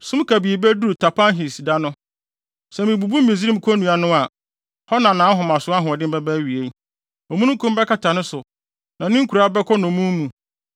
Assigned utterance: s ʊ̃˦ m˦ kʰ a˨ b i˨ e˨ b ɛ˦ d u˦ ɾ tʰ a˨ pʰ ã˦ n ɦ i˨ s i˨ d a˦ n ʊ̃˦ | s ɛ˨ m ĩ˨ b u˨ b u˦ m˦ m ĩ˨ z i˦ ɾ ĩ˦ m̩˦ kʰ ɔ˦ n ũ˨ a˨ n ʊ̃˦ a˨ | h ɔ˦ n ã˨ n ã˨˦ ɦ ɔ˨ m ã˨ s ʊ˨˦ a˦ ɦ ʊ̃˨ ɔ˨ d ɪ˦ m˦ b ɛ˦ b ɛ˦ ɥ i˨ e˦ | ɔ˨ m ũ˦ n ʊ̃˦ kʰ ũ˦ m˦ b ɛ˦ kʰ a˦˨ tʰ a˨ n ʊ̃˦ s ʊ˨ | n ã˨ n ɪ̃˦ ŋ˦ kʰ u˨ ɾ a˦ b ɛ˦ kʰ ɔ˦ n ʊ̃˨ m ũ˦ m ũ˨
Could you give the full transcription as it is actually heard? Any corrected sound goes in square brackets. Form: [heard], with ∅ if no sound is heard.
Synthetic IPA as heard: s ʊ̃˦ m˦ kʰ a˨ b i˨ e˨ b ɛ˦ d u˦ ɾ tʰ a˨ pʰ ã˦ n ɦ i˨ s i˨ d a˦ n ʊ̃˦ | s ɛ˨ m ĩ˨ b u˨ b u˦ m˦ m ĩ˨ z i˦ ɾ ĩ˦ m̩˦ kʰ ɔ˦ n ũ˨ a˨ n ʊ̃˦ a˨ | h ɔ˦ n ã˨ n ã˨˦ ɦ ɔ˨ m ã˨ s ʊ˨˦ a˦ ɦ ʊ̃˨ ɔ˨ d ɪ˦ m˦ b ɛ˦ b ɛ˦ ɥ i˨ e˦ | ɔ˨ m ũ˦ n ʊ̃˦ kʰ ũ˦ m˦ b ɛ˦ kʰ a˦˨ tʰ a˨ n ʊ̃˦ s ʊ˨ | n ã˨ n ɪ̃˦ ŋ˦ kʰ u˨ ɾ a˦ b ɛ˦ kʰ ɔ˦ n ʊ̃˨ m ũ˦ m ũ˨